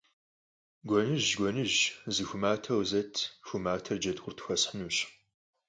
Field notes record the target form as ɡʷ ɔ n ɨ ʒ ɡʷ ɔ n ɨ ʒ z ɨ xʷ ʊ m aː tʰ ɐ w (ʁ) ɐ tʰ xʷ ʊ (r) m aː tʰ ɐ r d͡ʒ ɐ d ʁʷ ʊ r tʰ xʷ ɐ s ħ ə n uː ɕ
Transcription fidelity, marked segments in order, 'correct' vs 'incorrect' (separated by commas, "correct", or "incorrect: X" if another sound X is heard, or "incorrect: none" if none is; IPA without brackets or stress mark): incorrect: z, incorrect: none